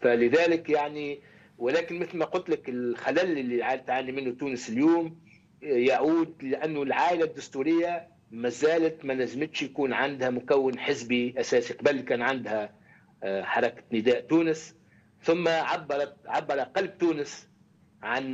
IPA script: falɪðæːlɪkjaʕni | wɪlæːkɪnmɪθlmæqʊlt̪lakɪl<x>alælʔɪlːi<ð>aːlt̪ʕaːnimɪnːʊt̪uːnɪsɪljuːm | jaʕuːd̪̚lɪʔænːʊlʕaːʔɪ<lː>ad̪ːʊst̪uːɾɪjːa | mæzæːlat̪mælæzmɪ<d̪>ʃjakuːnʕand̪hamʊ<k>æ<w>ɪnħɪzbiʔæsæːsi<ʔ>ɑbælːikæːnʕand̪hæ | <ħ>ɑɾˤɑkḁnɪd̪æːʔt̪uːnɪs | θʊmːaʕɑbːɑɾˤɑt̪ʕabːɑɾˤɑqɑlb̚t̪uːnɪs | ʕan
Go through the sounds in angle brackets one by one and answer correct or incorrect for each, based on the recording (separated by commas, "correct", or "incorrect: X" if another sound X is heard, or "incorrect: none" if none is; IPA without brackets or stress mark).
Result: correct, incorrect: ʕ, incorrect: l, incorrect: t̪, correct, incorrect: wː, incorrect: q, correct